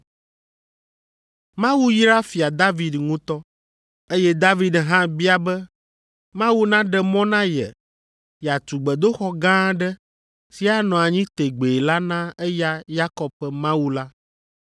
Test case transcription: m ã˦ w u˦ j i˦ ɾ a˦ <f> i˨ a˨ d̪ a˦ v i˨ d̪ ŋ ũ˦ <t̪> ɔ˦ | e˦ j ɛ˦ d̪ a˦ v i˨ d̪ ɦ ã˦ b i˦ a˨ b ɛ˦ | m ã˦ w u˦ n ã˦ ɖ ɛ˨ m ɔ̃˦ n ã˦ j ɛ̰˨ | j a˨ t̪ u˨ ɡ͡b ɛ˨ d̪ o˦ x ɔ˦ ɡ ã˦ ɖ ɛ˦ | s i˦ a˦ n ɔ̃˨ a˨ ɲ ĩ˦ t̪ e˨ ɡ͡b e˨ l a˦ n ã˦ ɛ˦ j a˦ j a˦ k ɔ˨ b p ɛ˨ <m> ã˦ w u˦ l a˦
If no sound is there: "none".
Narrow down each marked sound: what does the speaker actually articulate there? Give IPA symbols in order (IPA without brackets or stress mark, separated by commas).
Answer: f, t̪, m